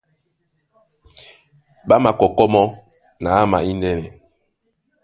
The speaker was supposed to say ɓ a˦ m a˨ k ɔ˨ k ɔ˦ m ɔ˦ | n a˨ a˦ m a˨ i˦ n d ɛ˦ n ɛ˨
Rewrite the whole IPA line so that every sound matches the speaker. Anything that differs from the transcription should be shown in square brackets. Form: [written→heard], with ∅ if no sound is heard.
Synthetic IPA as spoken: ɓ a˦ m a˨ k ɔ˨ k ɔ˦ m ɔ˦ | n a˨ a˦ m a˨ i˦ n d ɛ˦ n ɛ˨